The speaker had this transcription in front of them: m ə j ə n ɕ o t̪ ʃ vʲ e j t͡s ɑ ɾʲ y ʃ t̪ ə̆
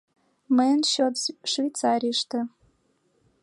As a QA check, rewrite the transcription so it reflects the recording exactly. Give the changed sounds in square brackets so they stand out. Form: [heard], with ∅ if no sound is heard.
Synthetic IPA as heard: m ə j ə n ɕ o t̪ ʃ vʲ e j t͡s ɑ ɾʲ [i] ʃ t̪ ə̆